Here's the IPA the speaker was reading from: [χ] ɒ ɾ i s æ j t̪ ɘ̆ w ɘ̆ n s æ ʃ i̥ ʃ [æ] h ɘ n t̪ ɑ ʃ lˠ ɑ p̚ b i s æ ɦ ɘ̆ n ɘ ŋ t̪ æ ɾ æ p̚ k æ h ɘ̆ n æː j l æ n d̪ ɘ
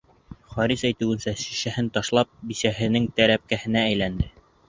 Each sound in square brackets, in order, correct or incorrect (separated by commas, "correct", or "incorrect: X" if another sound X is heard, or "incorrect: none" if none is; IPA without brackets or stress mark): correct, correct